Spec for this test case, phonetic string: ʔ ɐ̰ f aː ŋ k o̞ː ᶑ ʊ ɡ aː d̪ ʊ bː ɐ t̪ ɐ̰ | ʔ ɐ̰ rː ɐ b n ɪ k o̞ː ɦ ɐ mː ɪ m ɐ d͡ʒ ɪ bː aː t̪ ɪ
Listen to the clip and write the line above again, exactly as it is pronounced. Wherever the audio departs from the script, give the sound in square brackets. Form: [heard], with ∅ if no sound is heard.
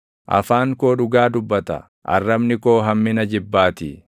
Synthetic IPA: ʔ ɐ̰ f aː ŋ k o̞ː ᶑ ʊ ɡ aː d̪ ʊ bː ɐ t̪ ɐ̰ | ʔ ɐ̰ rː ɐ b n ɪ k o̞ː ɦ ɐ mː ɪ [n] ɐ d͡ʒ ɪ bː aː t̪ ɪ